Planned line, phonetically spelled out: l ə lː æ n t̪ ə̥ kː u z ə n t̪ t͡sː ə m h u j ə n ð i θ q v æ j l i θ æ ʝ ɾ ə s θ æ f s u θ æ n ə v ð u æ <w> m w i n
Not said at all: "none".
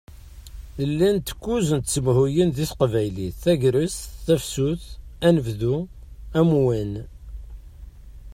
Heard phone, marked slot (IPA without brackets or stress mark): none